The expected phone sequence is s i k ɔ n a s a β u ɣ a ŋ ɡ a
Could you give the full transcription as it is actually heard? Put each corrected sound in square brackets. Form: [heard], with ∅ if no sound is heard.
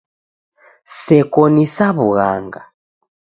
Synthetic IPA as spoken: s [ɛ] k ɔ n [i] s a β u ɣ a ŋ ɡ a